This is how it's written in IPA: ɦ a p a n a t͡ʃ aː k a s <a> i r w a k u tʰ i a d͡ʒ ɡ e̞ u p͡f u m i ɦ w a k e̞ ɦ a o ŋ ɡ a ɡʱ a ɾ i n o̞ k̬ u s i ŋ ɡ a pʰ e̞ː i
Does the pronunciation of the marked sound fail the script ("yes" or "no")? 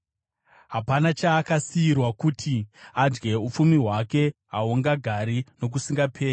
yes